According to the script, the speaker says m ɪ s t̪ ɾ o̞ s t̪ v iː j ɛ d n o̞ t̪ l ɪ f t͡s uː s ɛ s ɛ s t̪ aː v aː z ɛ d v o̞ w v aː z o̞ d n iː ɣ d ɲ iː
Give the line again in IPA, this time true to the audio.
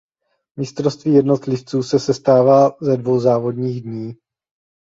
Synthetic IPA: m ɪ s t̪ ɾ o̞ s t̪ v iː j ɛ d n o̞ t̪ l ɪ f t͡s uː s ɛ s ɛ s t̪ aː v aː z ɛ d v o̞ w z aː v o̞ d ɲ iː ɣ d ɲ iː